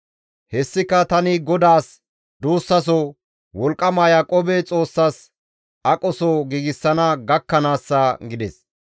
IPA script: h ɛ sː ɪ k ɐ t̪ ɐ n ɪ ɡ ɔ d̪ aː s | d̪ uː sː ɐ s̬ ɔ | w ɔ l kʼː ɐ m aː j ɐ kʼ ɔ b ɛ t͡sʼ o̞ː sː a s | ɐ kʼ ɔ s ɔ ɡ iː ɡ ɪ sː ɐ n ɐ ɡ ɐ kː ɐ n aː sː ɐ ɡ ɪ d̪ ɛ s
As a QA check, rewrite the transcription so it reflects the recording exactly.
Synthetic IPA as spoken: h ɛ sː ɪ k ɐ t̪ ɐ n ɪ ɡ ɔ d̪ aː s | d̪ uː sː ɐ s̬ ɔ | w ɔ l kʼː ɐ m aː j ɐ kʼ ɔ b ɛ t͡sʼ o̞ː sː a s | ɐ kʼ ɔ s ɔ ɡ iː ɡ ɪ sː ɐ n ɐ ɡ ɐ kː ɐ n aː sː ɐ ɡ ɪ d̪ ɛ s

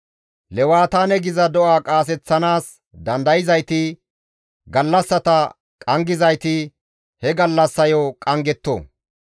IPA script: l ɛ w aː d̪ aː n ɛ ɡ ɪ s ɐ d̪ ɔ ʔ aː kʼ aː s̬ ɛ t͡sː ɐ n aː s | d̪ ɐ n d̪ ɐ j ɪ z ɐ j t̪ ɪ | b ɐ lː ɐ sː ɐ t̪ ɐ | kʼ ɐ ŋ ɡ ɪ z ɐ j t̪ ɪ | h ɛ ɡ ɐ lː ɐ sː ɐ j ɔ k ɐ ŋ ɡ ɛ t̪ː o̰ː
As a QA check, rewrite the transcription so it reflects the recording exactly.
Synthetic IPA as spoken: l ɛ w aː t̪ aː n ɛ ɡ ɪ z ɐ d̪ ɔ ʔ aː kʼ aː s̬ ɛ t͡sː ɐ n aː s | d̪ ɐ n d̪ ɐ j ɪ z ɐ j t̪ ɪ | ɡ ɐ lː ɐ sː ɐ t̪ ɐ | kʼ ɐ ŋ ɡ ɪ z ɐ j t̪ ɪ | h ɛ ɡ ɐ lː ɐ sː ɐ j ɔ kʼ ɐ ŋ ɡ ɛ t̪ː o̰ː

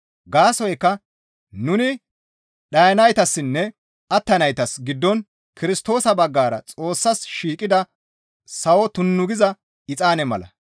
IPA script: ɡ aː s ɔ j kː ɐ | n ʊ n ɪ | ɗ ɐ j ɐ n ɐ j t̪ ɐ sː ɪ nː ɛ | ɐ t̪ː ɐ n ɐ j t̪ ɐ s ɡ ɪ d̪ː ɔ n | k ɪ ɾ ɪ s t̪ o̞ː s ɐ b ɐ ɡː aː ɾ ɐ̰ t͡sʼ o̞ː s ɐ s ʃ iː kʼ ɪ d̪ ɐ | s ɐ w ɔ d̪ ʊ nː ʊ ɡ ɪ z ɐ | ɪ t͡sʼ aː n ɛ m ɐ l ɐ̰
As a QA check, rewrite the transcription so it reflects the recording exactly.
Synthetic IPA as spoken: ɡ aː s ɔ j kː ɐ | n ʊ n ɪ | ɗ ɐ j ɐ n ɐ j t̪ ɐ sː ɪ nː ɛ | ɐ t̪ː ɐ n ɐ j t̪ ɐ s ɡ ɪ d̪ː ɔ n | k ɪ ɾ ɪ s t̪ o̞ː s ɐ b ɐ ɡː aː ɾ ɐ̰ t͡sʼ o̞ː sː ɐ s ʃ iː kʼ ɪ d̪ ɐ | s ɐ w ɔ t̪ ʊ nː ʊ ɡ ɪ z ɐ | ɪ t͡sʼ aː n ɛ m ɐ l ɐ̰

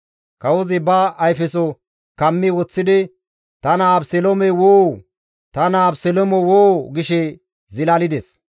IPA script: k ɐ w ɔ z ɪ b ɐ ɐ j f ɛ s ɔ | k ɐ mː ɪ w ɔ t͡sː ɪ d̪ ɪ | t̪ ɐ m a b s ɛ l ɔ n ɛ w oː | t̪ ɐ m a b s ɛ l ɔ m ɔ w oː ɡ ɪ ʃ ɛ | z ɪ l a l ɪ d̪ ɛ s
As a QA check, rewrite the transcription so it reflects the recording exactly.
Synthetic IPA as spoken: k ɐ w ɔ z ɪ b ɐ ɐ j f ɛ s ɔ | k ɐ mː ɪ w ɔ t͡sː ɪ d̪ ɪ | t̪ ɐ n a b s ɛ l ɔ m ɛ w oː | t̪ ɐ n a b s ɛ l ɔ m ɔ w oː ɡ ɪ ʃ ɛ | z ɪ l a l ɪ d̪ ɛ s

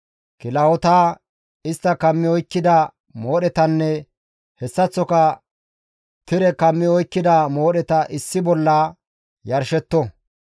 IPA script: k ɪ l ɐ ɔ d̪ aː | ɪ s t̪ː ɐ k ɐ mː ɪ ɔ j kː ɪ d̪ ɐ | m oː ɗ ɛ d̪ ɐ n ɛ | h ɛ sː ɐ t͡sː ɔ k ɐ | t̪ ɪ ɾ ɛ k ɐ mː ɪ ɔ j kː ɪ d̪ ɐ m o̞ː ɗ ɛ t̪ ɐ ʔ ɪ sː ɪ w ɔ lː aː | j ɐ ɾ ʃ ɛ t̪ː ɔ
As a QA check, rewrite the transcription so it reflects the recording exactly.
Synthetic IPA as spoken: k ɪ l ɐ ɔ t̪ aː | ɪ s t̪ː ɐ k ɐ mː ɪ ɔ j kː ɪ d̪ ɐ | m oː ɗ ɛ t̪ ɐ nː ɛ | h ɛ sː ɐ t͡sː ɔ k ɐ | t̪ ɪ ɾ ɛ k ɐ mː ɪ ɔ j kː ɪ d̪ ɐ m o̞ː ɗ ɛ t̪ ɐ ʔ ɪ sː ɪ b ɔ lː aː | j ɐ ɾ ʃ ɛ t̪ː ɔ

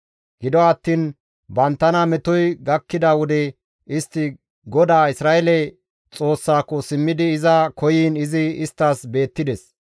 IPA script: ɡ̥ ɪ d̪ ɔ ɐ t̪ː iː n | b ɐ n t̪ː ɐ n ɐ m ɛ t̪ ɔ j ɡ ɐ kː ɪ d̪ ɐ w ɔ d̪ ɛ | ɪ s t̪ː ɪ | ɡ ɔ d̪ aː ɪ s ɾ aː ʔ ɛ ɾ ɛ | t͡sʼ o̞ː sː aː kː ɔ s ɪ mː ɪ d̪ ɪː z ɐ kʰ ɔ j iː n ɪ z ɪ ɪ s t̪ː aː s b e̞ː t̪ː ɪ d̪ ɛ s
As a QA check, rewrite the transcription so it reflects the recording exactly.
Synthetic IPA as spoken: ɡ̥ ɪ d̪ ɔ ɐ t̪ː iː n | b ɐ n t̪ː ɐ n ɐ m ɛ t̪ ɔ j ɡ ɐ kː ɪ d̪ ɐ w ɔ d̪ ɛ | ɪ s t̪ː ɪ | ɡ ɔ d̪ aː ɪ s ɾ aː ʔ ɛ l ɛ | t͡sʼ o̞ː sː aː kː ɔ s ɪ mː ɪ d̪ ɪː z ɐ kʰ ɔ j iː n ɪ z ɪ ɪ s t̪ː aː s b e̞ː t̪ː ɪ d̪ ɛ s

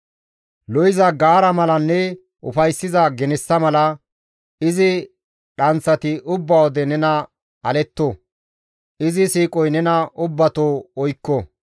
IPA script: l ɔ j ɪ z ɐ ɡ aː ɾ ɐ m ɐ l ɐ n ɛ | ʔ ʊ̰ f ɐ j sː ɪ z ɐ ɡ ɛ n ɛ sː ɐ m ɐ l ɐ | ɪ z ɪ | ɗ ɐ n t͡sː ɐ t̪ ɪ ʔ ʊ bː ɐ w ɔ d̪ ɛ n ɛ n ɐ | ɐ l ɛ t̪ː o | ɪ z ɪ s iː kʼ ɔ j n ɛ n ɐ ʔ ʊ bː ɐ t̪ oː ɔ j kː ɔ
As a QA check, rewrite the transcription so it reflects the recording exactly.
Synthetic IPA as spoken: l ɔ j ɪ z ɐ ɡ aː ɾ ɐ m ɐ l ɐ nː ɛ | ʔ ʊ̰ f ɐ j sː ɪ z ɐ ɡ ɛ n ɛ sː ɐ m ɐ l ɐ | ɪ z ɪ | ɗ ɐ n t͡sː ɐ t̪ ɪ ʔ ʊ bː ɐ w ɔ d̪ ɛ n ɛ n ɐ | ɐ l ɛ t̪ː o | ɪ z ɪ s iː kʼ ɔ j n ɛ n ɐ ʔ ʊ bː ɐ t̪ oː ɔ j kː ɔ

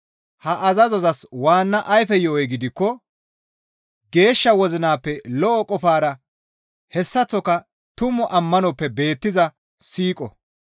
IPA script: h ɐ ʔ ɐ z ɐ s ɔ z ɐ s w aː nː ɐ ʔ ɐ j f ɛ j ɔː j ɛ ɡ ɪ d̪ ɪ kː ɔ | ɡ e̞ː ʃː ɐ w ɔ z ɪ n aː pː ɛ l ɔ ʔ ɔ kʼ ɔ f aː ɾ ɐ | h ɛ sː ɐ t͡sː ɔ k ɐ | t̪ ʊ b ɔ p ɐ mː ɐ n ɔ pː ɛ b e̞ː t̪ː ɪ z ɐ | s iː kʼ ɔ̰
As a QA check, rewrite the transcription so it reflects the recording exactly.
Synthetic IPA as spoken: h ɐ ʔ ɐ z ɐ z ɔ z ɐ s w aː nː ɐ ʔ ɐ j f ɛ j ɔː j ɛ ɡ ɪ d̪ ɪ kː ɔ | ɡ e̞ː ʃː ɐ w ɔ z ɪ n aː pː ɛ l ɔ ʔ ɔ kʼ ɔ f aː ɾ ɐ | h ɛ sː ɐ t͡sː ɔ k ɐ | t̪ ʊ m ɔ ʔ ɐ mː ɐ n ɔ pː ɛ b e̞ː t̪ː ɪ z ɐ | s iː kʼ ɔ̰

